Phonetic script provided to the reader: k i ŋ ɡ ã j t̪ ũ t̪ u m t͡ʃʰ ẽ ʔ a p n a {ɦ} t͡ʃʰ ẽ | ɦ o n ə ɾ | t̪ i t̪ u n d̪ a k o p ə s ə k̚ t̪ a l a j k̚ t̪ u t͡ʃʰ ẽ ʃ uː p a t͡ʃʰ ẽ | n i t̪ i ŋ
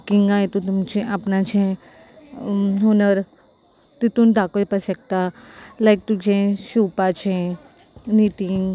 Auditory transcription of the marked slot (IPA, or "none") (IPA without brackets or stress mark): none